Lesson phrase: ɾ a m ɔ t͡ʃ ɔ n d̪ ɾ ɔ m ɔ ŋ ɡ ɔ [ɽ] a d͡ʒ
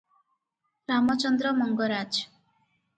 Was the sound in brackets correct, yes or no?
no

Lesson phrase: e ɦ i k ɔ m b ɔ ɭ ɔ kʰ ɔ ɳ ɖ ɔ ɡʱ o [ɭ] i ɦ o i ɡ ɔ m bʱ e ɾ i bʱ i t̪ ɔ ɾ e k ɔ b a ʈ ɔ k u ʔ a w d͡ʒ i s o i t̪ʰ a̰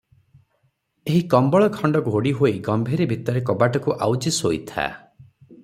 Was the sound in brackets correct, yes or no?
no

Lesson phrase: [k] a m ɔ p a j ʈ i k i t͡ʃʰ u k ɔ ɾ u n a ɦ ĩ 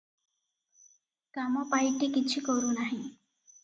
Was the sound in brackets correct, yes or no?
yes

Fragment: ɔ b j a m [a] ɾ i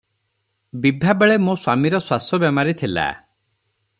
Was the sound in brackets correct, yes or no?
yes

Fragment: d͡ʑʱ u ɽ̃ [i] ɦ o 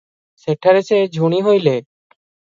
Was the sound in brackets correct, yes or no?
yes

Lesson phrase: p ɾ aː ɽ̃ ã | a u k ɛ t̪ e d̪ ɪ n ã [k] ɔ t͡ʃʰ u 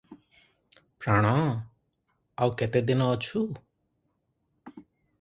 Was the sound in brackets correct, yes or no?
no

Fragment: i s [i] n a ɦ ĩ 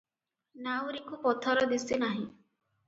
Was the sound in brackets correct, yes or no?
yes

